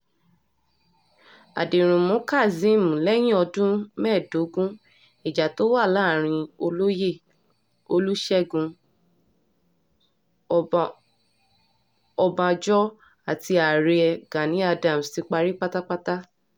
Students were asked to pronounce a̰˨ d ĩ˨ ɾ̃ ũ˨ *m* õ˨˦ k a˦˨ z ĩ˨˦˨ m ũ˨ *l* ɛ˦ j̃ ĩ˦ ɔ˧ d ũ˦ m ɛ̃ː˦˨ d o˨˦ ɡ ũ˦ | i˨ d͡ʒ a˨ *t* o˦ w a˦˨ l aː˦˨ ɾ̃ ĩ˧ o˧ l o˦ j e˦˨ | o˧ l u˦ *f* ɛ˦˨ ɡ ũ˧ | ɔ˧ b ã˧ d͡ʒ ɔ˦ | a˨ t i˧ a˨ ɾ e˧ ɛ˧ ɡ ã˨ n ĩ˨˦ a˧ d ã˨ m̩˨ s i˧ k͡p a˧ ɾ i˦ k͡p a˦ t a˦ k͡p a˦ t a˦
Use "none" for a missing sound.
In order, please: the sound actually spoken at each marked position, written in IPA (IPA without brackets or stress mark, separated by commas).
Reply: m, l, t, ʃ